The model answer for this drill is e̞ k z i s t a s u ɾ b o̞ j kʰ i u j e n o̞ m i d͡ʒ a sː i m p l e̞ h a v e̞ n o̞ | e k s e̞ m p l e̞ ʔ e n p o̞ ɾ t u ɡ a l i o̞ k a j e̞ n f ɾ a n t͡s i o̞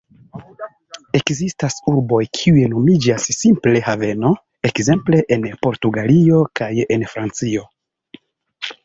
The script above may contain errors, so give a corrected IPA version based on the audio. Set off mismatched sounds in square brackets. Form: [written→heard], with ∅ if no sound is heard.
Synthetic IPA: e̞ k z i s t a s u ɾ b o̞ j kʰ i u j e n o̞ m i d͡ʒ a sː i m p l e̞ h a v e̞ n o̞ | e k [s→z] e̞ m p l e̞ ʔ e n p o̞ ɾ t u ɡ a l i o̞ k a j e̞ n f ɾ a n t͡s i o̞